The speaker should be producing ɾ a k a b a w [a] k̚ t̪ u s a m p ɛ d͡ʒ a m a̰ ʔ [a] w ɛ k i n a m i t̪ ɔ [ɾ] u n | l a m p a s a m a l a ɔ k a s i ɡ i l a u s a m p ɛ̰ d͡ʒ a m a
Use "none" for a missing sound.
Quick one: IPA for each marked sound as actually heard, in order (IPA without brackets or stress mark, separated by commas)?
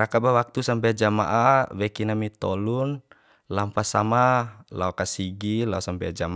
a, a, l